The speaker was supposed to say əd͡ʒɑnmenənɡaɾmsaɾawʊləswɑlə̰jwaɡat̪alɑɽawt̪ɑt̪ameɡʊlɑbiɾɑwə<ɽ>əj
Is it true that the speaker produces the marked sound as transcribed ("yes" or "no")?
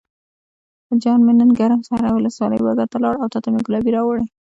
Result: yes